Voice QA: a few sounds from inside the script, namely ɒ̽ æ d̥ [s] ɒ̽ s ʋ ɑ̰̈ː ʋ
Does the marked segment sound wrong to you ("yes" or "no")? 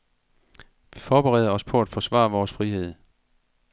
yes